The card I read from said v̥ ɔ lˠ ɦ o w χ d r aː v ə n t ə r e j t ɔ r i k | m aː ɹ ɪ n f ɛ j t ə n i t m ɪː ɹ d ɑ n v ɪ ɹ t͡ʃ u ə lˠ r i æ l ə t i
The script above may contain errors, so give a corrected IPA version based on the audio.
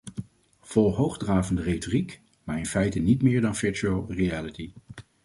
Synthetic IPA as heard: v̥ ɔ lˠ ɦ o w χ d r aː v ə n d ə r e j t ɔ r i k | m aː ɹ ɪ n f ɛ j t ə n i t m ɪː ɹ d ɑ n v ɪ ɹ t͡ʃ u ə lˠ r i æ l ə t i